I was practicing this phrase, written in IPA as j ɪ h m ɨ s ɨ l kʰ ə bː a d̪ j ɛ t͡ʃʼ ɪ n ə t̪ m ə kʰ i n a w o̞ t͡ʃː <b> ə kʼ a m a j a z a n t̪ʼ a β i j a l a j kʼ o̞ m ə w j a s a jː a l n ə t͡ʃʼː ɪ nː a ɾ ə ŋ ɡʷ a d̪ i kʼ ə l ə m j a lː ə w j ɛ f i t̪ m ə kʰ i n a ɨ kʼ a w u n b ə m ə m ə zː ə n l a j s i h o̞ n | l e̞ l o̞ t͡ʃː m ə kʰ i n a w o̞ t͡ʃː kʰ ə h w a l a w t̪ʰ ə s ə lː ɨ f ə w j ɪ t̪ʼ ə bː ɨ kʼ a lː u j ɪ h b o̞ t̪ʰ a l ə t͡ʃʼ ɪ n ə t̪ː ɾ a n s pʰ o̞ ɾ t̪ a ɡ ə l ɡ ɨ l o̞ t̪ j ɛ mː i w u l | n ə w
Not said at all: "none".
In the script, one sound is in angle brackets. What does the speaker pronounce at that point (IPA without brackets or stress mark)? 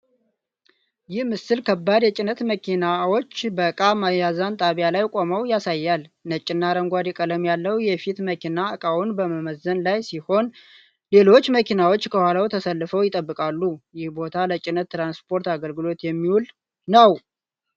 b